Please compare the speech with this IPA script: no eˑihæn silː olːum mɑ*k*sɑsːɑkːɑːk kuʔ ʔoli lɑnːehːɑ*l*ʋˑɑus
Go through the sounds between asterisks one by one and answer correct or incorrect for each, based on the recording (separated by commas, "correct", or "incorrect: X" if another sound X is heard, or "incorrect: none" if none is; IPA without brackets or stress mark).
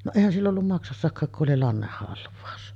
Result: correct, correct